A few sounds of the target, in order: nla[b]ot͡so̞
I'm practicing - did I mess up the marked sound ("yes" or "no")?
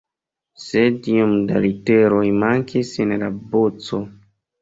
no